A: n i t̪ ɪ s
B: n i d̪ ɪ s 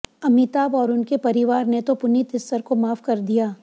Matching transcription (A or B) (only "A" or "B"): A